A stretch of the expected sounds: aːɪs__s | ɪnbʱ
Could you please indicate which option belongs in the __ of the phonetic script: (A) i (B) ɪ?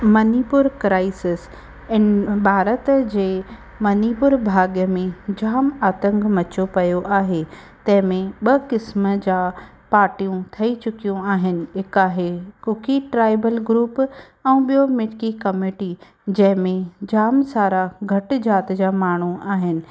B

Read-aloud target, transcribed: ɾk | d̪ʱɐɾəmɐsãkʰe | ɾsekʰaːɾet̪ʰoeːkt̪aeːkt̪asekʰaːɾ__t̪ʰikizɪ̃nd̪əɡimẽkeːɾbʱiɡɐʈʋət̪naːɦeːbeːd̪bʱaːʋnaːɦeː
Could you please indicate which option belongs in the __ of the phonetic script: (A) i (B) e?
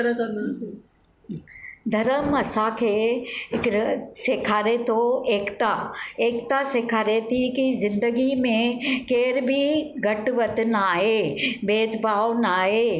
B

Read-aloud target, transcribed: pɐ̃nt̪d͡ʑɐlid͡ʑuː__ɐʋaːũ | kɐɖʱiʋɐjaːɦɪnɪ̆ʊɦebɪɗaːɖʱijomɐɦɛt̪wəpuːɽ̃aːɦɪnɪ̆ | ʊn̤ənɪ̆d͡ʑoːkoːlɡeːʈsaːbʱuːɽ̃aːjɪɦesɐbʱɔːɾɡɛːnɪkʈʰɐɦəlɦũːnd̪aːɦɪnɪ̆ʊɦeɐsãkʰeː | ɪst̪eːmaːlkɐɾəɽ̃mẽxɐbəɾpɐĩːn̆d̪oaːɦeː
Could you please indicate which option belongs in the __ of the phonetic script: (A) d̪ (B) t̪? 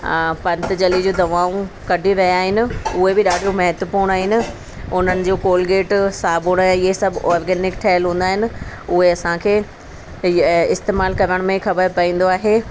A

